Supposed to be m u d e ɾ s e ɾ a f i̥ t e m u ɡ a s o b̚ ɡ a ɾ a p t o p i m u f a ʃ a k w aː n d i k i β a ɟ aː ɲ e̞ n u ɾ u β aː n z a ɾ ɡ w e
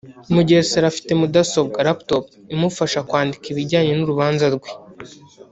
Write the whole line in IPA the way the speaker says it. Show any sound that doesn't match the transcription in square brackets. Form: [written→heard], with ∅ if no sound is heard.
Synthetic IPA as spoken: m u [d→ɟ] e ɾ s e ɾ a f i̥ t e m u [ɡ→d] a s o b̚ ɡ a ɾ a p t o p i m u f a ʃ a k w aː n d i k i β [a→i] ɟ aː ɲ e̞ n u ɾ u β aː n z a ɾ ɡ w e